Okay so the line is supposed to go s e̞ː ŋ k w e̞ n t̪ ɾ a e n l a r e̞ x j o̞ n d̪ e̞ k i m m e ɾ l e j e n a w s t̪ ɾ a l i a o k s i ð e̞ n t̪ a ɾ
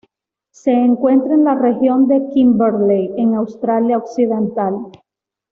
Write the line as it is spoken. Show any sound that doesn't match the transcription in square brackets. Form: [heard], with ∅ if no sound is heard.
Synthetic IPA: s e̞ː ŋ k w e̞ n t̪ ɾ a e n l a r e̞ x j o̞ n d̪ e̞ k i m [b] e ɾ l e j e [ŋ] a w s t̪ ɾ a l [j] a o k s i ð e̞ n t̪ a [l]